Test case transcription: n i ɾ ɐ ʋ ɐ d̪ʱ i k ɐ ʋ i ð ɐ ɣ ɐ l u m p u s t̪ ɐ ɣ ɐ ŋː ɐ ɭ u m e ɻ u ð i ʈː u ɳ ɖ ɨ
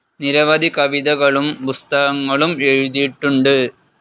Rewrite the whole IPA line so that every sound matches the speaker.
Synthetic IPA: n i ɾ ɐ ʋ ɐ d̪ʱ i k ɐ ʋ i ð ɐ ɣ ɐ ɭ u m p u s t̪ ɐ ɣ ɐ ŋː ɐ ɭ u m e ɻ u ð i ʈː u ɳ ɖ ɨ